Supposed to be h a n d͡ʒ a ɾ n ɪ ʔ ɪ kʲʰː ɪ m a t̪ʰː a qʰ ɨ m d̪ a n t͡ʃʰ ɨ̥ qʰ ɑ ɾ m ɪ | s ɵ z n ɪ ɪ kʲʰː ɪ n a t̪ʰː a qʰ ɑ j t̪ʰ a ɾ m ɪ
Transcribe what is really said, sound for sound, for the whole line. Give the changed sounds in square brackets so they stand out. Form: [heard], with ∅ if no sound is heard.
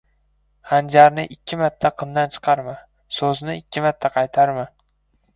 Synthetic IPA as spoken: h a n d͡ʒ a ɾ n ɪ ʔ ɪ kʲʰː ɪ m a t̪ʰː a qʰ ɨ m d̪ a n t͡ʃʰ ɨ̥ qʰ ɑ ɾ m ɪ | s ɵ z n ɪ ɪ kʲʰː ɪ [m] a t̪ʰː a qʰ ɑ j t̪ʰ a ɾ m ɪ